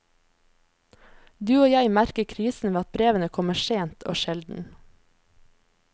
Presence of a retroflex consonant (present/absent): absent